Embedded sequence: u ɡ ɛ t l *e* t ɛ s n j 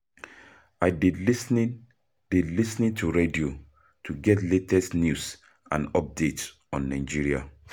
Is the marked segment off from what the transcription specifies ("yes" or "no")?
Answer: no